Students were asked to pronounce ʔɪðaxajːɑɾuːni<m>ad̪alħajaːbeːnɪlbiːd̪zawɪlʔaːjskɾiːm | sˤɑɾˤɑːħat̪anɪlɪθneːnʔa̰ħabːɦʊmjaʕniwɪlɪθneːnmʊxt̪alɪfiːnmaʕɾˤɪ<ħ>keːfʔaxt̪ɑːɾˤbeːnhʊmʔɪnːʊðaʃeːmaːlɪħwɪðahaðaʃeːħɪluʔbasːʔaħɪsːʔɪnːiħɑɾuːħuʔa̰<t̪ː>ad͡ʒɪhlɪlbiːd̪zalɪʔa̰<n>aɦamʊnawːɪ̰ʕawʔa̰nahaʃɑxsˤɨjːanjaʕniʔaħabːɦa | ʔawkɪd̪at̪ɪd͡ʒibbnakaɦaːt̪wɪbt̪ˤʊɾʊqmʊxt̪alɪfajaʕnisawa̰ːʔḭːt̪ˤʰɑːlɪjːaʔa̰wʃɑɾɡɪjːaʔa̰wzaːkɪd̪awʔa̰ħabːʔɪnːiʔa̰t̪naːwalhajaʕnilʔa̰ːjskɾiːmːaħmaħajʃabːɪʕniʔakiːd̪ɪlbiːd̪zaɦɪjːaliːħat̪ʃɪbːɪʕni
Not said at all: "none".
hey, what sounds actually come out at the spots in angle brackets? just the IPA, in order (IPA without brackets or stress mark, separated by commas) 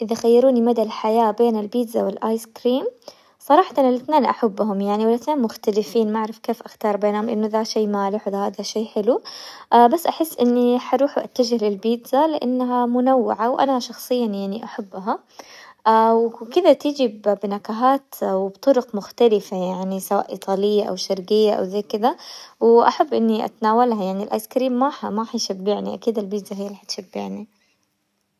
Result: m, f, t̪ː, nː